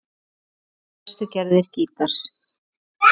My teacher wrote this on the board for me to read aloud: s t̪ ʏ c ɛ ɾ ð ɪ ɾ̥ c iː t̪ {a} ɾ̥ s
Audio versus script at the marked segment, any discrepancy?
no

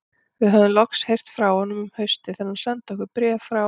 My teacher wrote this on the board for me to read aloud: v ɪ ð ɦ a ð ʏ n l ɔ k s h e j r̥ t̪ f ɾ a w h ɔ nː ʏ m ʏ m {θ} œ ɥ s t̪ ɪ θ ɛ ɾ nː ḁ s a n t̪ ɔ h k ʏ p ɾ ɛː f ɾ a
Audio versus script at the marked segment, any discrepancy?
yes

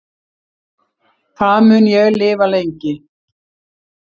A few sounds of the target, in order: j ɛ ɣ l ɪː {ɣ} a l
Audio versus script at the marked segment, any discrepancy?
yes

